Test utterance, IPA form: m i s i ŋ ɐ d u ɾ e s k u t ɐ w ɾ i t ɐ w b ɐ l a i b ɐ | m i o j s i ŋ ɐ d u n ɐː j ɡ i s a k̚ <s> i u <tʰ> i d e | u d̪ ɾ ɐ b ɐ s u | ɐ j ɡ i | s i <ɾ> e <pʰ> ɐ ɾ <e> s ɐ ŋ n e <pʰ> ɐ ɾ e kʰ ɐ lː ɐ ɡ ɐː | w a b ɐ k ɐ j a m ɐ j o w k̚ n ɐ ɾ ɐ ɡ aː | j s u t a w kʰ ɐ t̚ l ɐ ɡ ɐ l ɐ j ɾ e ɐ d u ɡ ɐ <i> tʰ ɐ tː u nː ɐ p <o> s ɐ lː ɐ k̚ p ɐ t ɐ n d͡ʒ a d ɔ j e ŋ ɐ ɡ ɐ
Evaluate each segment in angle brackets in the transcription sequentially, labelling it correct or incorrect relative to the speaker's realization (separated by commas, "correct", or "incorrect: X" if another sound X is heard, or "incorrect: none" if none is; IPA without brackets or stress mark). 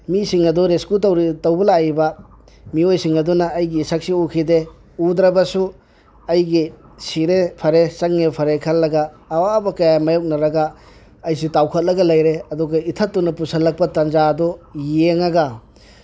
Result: correct, incorrect: kʰ, correct, correct, correct, correct, correct, incorrect: u